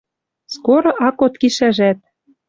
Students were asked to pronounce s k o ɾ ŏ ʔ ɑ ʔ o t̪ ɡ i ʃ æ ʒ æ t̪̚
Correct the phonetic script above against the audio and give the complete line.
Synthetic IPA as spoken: s k o ɾ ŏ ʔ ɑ k o t̪ k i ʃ æ ʒ æ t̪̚